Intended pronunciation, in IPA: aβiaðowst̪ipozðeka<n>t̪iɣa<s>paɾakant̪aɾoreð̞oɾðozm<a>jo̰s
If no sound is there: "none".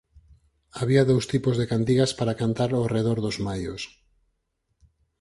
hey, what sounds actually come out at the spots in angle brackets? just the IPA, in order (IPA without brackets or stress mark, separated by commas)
n, s, a